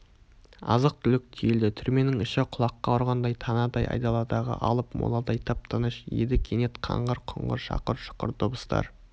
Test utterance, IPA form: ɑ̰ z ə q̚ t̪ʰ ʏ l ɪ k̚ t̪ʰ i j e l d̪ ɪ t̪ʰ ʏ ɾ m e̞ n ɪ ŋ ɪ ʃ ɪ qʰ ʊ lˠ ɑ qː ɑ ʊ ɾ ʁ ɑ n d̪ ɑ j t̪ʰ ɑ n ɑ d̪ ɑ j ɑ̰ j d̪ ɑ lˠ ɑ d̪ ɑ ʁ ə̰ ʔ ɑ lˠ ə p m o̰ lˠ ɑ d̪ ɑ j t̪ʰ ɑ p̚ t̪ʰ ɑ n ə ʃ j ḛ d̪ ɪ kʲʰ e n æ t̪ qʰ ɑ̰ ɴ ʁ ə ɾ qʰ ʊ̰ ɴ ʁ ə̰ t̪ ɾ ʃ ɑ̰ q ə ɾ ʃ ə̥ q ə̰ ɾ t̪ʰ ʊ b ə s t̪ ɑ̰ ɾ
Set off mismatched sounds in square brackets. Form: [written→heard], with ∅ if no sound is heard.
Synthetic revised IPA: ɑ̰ z ə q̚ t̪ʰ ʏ l ɪ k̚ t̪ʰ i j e l d̪ ɪ t̪ʰ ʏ ɾ m e̞ n ɪ ŋ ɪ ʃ ɪ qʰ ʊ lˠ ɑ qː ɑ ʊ ɾ ʁ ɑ n d̪ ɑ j t̪ʰ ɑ n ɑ d̪ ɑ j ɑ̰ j d̪ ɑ lˠ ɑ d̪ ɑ ʁ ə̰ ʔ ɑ lˠ ə p m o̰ lˠ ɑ d̪ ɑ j t̪ʰ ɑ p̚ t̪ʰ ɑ n ə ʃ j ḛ d̪ ɪ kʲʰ e n [æ→e] t̪ qʰ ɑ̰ ɴ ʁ ə ɾ qʰ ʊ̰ ɴ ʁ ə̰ [t̪→∅] ɾ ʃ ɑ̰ q ə ɾ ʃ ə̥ q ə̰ ɾ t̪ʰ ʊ b ə s t̪ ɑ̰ ɾ